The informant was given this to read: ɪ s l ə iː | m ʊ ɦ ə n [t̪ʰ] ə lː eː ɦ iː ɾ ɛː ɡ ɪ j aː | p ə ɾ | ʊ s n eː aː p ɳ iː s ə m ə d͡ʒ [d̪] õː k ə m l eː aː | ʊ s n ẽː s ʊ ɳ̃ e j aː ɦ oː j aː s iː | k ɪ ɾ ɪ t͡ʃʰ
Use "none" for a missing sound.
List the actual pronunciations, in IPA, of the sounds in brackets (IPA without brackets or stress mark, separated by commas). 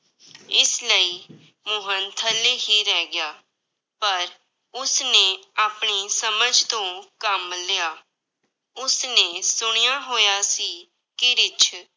t̪ʰ, t̪